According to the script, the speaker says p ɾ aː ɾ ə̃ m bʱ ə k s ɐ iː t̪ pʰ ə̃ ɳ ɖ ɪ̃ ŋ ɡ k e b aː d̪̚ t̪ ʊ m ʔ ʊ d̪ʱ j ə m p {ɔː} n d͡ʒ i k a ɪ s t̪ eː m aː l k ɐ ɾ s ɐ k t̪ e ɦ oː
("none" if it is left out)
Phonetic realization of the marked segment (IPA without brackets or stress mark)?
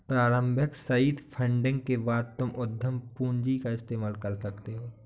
uː